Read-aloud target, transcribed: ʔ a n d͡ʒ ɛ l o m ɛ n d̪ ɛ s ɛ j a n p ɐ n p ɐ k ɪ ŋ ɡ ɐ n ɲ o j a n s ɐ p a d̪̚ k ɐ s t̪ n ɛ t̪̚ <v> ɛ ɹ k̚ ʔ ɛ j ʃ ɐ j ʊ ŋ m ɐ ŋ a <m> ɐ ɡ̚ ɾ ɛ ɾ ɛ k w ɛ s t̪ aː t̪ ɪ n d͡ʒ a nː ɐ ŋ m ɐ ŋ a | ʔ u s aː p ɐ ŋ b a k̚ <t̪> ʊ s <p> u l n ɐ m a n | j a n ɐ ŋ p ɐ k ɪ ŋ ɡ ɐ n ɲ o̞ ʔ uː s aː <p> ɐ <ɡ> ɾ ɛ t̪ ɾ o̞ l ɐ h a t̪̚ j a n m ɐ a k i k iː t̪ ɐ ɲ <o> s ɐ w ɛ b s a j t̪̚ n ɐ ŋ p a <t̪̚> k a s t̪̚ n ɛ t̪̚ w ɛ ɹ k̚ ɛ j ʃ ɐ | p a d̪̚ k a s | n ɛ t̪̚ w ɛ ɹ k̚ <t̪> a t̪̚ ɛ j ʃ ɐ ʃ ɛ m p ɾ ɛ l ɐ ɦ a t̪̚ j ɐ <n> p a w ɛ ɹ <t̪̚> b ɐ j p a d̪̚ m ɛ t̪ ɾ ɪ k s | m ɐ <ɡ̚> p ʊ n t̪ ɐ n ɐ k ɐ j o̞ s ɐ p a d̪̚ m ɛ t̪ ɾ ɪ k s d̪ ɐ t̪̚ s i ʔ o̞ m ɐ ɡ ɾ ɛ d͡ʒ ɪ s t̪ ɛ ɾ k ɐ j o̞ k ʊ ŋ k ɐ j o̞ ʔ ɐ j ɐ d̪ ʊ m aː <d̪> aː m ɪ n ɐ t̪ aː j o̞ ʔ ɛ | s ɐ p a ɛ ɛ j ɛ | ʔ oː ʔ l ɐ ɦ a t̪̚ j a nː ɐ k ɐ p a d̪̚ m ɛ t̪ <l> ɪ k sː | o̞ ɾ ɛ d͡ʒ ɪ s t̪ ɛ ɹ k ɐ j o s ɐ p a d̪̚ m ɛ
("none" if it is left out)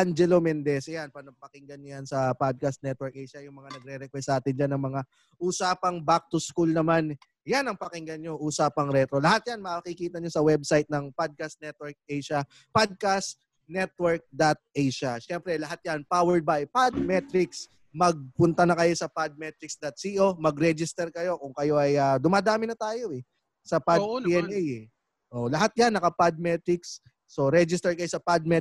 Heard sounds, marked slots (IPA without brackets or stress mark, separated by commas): w, n, t̪, k, p, ŋ, o, d̪̚, d̪, n, d̪̚, ɡ̚, d̪, ɾ